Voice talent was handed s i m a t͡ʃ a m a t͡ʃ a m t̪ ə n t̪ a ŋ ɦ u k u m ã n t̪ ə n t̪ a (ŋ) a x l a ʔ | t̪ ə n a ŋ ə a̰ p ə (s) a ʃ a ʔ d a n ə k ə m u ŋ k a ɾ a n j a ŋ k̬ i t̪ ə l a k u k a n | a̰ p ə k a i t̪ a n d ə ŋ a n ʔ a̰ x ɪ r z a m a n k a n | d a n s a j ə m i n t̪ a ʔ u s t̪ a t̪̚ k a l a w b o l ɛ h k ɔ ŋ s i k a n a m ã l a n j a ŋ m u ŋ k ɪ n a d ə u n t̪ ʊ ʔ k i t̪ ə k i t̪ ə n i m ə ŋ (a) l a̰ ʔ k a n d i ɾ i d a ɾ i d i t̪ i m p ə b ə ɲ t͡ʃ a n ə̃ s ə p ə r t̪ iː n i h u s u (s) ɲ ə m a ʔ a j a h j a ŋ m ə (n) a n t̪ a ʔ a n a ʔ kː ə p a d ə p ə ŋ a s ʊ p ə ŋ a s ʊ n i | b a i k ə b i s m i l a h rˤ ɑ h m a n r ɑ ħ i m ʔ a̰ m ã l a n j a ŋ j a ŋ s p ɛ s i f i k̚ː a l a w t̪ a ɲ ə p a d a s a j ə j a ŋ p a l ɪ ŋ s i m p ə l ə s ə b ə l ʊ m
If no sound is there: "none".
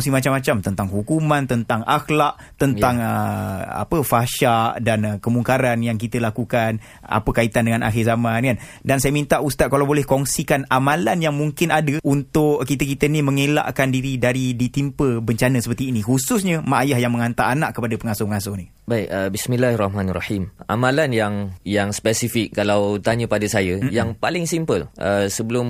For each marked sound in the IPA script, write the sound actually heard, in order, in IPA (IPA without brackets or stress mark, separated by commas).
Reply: ŋ, f, e, s, ŋ